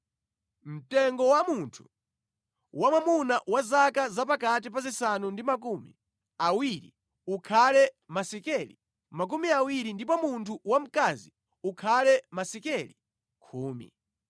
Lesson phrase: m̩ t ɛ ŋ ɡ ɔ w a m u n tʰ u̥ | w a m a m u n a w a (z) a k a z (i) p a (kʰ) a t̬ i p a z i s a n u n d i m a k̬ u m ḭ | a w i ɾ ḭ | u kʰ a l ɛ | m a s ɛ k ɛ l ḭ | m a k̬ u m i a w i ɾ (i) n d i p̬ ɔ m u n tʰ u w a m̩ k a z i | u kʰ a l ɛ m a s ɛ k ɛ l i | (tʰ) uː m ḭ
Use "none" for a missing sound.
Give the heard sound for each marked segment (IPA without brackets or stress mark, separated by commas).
z, a, k, i, kʰ